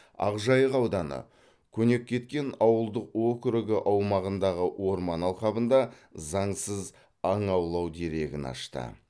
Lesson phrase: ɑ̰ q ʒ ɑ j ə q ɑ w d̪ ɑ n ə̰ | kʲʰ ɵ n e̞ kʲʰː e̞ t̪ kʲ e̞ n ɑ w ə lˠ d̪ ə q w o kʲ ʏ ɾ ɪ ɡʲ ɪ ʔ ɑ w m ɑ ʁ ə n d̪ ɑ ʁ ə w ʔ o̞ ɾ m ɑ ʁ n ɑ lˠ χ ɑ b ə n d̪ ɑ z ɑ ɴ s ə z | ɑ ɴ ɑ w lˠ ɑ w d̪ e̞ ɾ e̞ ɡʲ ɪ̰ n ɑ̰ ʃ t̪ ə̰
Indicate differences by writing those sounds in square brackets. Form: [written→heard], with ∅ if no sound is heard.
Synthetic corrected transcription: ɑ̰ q ʒ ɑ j ə q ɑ w d̪ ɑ n ə̰ | kʲʰ ɵ n e̞ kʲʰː e̞ t̪ kʲ e̞ n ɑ w ə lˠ d̪ ə q w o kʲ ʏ ɾ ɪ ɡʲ ɪ ʔ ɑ w m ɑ ʁ ə n d̪ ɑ ʁ ə w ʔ o̞ ɾ m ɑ [ʁ→∅] n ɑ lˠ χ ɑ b ə n d̪ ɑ z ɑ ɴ s ə z | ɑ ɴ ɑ w lˠ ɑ w d̪ e̞ ɾ e̞ ɡʲ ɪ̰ n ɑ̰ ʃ t̪ ə̰